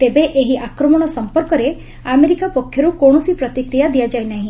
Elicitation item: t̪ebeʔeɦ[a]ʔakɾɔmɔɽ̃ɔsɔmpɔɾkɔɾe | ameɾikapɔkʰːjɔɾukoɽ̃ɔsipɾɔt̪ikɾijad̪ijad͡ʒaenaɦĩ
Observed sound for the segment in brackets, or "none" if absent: i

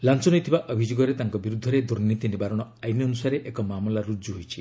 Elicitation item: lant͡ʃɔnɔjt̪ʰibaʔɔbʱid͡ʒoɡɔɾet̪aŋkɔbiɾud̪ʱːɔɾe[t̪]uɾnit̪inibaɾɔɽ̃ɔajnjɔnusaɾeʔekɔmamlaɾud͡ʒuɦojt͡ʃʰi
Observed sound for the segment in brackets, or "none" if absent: d̪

